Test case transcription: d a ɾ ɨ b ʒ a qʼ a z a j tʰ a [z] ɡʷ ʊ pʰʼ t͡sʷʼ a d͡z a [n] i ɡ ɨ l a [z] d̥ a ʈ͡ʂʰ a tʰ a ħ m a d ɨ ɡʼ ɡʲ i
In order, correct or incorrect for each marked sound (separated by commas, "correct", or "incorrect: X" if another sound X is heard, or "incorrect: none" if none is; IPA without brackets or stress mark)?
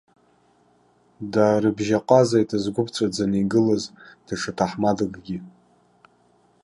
correct, correct, correct